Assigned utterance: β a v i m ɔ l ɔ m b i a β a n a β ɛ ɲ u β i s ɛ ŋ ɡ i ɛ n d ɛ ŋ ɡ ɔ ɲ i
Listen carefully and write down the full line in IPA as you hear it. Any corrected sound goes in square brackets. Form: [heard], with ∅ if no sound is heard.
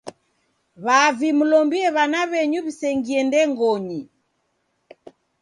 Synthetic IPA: β a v i m [u] l ɔ m b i [ɛ] β a n a β ɛ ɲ u β i s ɛ ŋ ɡ i ɛ n d ɛ ŋ ɡ ɔ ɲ i